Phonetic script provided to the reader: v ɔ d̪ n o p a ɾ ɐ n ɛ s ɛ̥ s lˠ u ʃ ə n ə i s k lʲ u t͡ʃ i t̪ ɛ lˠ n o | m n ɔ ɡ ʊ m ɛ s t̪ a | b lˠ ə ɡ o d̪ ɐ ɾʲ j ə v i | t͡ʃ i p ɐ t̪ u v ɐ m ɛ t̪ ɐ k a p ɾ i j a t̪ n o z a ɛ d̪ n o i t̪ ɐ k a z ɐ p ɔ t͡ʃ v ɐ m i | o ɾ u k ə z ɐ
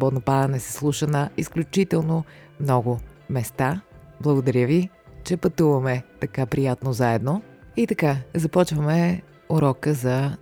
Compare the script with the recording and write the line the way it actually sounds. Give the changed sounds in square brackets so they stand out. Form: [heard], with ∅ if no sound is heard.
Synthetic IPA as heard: [b] ɔ d̪ n o p a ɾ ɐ n ɛ s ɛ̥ s lˠ u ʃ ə n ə i s k lʲ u t͡ʃ i t̪ ɛ lˠ n o | m n ɔ ɡ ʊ m ɛ s t̪ a | b lˠ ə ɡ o d̪ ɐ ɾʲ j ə v i | t͡ʃ [ɛ] p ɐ t̪ u v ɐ m ɛ t̪ ɐ k a p ɾ i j a t̪ n o z a ɛ d̪ n o i t̪ ɐ k a z ɐ p ɔ t͡ʃ v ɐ m [ɛ] | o ɾ [ɔ] k ə z ɐ